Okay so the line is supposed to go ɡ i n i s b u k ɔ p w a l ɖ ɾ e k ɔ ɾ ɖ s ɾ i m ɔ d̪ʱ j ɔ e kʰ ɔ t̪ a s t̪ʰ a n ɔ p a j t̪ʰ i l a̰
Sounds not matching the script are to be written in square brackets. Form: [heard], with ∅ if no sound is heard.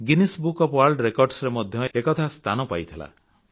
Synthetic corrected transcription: ɡ i n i s b u k ɔ p w a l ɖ ɾ e k ɔ ɾ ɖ s ɾ [e] m ɔ d̪ʱ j ɔ e [k] ɔ [t̪ʰ] a s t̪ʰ a n ɔ p a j t̪ʰ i l a̰